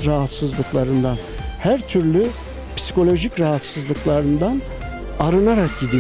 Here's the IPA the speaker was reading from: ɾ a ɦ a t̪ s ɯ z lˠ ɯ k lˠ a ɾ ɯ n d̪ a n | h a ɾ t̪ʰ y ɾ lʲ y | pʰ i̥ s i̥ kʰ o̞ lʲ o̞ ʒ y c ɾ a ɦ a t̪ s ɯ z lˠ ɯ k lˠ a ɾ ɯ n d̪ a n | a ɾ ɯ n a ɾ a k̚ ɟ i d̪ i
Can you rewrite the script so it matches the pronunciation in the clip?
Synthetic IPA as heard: ɾ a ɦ a t̪ s ɯ z lˠ ɯ k lˠ a ɾ ɯ n d̪ a n | h æ ɾ t̪ʰ y ɾ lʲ y | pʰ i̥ s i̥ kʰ o̞ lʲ o̞ ʒ i c ɾ a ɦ a t̪ s ɯ z lˠ ɯ k lˠ a ɾ ɯ n d̪ a n | a ɾ ɯ n a ɾ a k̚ ɟ i d̪ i

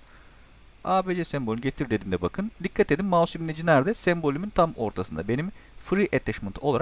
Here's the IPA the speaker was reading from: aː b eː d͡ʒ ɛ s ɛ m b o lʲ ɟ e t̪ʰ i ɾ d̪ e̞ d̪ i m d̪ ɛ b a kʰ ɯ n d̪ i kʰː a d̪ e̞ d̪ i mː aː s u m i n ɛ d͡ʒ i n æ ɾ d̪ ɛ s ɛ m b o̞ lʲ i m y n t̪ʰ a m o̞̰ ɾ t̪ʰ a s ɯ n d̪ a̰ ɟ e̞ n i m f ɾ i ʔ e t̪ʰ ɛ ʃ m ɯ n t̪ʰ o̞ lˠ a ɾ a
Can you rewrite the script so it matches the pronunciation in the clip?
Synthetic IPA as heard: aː b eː d͡ʒ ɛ s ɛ m b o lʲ ɟ e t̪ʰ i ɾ d̪ e̞ d̪ i m d̪ ɛ b a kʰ ɯ n d̪ i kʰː a t̪ e̞ d̪ i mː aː s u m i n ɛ d͡ʒ i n æ ɾ d̪ ɛ s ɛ m b o̞ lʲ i m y n t̪ʰ a m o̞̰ ɾ t̪ʰ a s ɯ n d̪ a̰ b e̞ n i m f ɾ i ʔ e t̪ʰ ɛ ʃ m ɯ n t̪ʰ o̞ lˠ a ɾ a

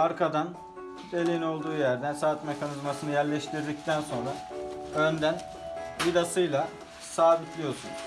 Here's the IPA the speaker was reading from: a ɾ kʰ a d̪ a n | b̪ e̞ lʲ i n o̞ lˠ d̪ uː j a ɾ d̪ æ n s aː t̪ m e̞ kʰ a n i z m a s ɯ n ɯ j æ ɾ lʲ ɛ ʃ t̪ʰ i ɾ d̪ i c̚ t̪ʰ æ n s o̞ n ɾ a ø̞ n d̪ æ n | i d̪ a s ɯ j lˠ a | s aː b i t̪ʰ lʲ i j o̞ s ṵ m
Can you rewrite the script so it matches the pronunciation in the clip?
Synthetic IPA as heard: a ɾ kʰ a d̪ a n | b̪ e̞ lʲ i n o̞ lˠ d̪ uː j æ ɾ d̪ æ n s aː t̪ m e̞ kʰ a n i z m a s ɯ n ɯ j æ ɾ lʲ ɛ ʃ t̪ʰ i ɾ d̪ i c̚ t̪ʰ æ n s o̞ n ɾ a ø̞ n d̪ æ n | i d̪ a s ɯ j lˠ a | s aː b i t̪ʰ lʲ i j o̞ s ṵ n

